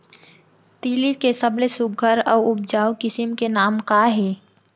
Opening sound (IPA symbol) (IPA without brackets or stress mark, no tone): t̪